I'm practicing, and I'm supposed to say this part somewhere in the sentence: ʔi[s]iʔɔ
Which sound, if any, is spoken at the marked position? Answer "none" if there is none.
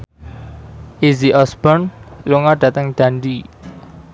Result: z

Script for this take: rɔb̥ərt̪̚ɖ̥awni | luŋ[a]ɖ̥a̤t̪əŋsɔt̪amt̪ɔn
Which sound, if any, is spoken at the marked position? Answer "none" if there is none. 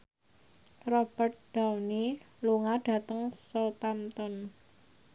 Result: a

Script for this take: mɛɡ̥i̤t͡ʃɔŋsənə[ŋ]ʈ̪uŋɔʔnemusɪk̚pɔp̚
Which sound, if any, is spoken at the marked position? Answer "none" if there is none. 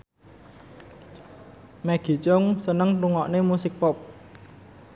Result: ŋ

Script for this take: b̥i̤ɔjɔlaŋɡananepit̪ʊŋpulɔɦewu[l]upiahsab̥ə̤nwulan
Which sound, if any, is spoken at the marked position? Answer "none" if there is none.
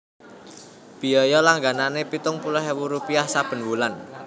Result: ɾ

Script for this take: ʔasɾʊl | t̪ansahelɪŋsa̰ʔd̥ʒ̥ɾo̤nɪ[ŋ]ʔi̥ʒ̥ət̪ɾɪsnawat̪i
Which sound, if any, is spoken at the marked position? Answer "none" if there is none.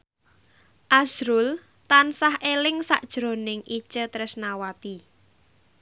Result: ŋ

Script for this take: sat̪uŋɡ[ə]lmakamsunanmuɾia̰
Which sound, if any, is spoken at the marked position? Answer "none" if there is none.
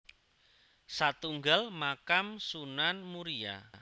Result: a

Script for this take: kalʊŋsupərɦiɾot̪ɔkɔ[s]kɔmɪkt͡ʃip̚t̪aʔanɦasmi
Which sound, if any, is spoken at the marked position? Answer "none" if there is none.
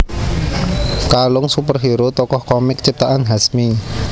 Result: h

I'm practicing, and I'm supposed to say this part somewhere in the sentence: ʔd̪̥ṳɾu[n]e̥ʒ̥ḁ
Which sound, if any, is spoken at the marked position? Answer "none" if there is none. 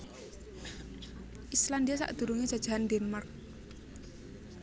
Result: ŋ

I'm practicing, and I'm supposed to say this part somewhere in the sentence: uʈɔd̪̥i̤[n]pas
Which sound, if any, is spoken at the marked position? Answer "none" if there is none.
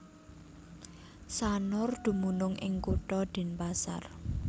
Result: n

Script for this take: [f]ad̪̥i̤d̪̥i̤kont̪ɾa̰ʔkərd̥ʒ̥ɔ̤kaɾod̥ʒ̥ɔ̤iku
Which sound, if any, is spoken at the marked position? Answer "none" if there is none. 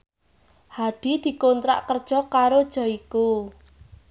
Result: h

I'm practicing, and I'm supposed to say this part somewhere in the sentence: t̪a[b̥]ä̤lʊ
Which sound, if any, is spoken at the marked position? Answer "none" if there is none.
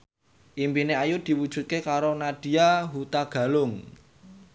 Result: ɡ̥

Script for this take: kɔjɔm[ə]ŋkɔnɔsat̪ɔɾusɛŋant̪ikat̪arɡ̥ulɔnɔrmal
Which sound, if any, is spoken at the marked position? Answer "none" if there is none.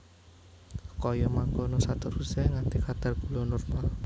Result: a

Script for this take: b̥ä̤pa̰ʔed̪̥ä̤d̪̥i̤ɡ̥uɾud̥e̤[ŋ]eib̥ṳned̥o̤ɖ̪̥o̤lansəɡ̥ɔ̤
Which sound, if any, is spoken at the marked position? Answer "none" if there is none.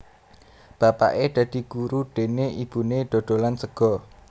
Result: n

